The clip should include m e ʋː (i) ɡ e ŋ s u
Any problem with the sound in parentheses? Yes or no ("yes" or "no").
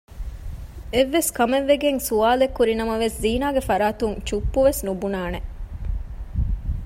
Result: yes